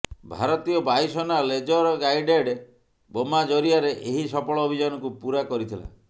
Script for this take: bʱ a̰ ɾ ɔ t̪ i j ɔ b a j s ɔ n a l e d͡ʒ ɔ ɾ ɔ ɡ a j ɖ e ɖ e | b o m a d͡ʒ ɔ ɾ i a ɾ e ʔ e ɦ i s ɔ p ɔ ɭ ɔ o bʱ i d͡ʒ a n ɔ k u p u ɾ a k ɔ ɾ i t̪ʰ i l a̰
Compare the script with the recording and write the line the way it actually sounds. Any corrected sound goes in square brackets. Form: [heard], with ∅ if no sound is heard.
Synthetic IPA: bʱ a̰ ɾ ɔ t̪ i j ɔ b a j s ɔ n a l e d͡ʒ ɔ ɾ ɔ ɡ a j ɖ e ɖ e | b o m a d͡ʒ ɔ ɾ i a ɾ e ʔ e ɦ i s ɔ p ɔ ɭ ɔ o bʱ i d͡ʒ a n ɔ k u p u ɾ a k ɔ ɾ i t̪ʰ i l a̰